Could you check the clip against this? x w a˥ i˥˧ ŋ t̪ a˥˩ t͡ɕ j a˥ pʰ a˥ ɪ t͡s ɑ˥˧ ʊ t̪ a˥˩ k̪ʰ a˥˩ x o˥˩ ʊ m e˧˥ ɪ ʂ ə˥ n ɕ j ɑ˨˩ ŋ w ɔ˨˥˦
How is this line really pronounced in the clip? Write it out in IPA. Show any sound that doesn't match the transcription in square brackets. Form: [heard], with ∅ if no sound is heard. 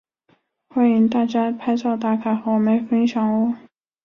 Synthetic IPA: x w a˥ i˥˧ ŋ t̪ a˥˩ t͡ɕ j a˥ pʰ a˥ ɪ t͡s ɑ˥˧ ʊ t̪ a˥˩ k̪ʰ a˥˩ x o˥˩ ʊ m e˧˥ ɪ [f] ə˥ n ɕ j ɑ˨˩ ŋ w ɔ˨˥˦